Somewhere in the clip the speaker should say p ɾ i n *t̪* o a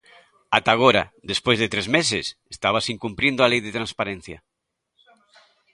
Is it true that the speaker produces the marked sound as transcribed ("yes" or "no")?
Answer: no